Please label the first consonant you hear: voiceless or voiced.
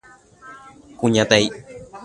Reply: voiceless